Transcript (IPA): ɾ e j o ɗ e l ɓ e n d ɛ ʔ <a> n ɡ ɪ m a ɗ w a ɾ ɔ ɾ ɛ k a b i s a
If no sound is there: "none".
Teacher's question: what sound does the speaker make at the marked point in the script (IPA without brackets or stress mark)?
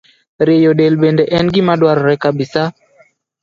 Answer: ɛ